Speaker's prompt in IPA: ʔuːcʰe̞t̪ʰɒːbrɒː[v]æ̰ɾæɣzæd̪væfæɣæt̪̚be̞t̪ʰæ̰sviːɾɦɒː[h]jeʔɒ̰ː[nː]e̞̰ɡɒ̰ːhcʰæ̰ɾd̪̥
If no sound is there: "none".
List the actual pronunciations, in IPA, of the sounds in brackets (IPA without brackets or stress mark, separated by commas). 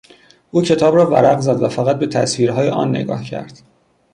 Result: v, none, nː